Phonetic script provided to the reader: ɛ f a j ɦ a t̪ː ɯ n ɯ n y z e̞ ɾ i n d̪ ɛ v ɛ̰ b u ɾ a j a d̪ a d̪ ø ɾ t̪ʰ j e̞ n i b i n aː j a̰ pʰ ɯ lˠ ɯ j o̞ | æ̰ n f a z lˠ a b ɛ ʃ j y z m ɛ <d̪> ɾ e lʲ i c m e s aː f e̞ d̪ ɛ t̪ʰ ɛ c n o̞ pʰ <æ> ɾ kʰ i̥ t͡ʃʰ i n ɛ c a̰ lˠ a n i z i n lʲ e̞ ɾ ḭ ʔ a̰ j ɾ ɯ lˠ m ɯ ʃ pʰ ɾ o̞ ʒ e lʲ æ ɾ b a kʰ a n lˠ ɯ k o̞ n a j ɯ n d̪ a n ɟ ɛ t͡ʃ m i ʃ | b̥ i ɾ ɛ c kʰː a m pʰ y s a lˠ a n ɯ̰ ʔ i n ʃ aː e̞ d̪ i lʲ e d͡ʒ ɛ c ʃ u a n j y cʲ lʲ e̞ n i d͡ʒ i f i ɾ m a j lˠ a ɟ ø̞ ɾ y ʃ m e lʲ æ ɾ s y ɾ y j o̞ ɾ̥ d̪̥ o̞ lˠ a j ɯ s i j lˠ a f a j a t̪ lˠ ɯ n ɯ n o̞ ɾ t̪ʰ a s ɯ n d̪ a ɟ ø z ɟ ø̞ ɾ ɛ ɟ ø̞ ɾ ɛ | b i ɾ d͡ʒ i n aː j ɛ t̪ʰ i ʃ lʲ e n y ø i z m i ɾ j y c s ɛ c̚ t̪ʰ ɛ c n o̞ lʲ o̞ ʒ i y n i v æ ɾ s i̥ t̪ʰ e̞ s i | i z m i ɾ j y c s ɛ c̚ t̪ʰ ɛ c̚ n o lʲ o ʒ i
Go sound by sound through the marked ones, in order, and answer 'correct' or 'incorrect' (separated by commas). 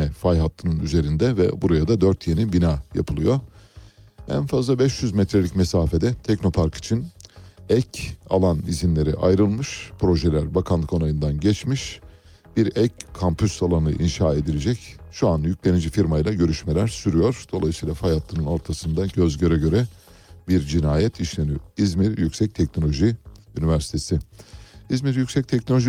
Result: incorrect, incorrect